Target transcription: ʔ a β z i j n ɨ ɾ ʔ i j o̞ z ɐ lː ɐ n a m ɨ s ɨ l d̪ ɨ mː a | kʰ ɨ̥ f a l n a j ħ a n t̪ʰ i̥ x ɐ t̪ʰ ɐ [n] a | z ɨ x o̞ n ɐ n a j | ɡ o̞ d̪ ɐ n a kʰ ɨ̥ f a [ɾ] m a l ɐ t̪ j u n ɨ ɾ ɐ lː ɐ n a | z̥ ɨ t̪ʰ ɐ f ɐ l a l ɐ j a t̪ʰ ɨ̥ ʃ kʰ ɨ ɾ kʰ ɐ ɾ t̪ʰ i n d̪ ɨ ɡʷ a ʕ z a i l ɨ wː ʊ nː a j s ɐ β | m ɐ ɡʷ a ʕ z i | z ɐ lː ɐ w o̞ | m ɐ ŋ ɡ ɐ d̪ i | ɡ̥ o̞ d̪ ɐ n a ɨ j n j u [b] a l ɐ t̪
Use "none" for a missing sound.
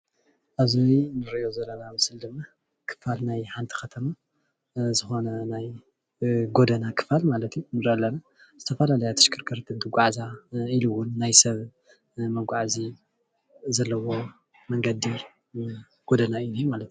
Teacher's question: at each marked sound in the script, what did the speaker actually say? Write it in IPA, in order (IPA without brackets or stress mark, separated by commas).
m, l, m